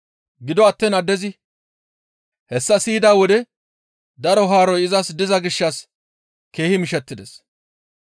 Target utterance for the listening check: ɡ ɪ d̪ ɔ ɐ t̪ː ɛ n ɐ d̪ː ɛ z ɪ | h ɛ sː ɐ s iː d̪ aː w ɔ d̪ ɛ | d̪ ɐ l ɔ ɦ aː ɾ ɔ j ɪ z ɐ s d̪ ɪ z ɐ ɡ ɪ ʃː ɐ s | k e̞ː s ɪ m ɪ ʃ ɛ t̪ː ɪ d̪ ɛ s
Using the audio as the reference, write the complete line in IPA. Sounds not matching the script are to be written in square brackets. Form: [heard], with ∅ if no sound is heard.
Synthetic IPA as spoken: ɡ ɪ d̪ ɔ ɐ t̪ː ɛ n ɐ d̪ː ɛ z ɪ | h ɛ sː ɐ s iː d̪ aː w ɔ d̪ ɛ | d̪ ɐ [ɾ] ɔ ɦ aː ɾ ɔ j ɪ z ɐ s d̪ ɪ z ɐ ɡ ɪ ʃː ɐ s | k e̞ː [h] ɪ m ɪ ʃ ɛ t̪ː ɪ d̪ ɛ s